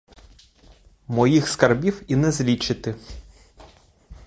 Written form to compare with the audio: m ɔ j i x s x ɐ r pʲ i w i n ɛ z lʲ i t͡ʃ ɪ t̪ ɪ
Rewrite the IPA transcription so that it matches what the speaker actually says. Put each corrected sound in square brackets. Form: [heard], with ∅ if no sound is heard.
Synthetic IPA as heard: m ɔ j i x s [k] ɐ r [bʲ] i w i n ɛ z lʲ i t͡ʃ ɪ t̪ ɪ